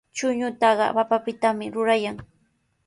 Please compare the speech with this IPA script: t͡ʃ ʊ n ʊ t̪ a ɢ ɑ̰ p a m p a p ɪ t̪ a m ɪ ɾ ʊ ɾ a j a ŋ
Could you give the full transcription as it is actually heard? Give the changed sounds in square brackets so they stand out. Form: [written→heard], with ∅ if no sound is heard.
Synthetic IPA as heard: t͡ʃ ʊ [n→ɲ] ʊ t̪ [a→ɑ] ɢ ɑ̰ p a [m→∅] p a p ɪ t̪ a m ɪ ɾ ʊ ɾ a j a ŋ